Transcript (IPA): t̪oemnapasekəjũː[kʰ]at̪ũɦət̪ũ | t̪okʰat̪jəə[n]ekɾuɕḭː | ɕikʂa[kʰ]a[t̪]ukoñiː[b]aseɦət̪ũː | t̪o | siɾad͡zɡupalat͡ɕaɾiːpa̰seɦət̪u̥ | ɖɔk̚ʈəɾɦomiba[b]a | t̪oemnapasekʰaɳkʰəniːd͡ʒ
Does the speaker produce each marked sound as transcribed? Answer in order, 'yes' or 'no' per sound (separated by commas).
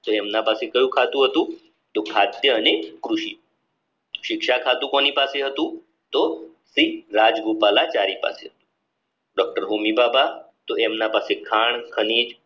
yes, yes, yes, yes, no, yes